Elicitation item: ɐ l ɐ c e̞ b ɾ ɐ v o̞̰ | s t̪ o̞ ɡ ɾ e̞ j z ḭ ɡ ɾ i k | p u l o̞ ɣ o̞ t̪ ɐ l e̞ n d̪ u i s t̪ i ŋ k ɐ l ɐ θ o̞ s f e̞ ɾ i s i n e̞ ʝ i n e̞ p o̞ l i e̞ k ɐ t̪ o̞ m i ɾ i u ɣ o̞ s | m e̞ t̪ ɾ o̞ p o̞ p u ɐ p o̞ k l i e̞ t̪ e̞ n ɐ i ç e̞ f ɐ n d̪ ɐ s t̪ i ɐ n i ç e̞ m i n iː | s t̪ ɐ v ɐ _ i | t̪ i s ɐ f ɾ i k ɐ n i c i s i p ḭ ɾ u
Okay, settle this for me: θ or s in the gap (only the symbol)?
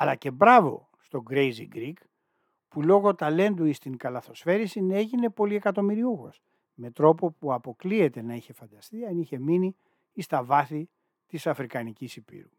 θ